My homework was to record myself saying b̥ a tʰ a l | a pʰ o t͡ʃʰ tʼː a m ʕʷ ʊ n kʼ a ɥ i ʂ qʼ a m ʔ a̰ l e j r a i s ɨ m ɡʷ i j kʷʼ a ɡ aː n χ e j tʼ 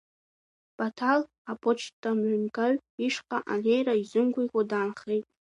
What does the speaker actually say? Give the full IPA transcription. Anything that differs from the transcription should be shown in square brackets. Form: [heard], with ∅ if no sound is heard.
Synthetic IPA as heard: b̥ a tʰ a l | a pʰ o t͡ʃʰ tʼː a m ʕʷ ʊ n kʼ a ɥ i ʂ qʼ a [∅] ʔ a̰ l e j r a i [z] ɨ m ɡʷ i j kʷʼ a [d] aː n χ e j tʼ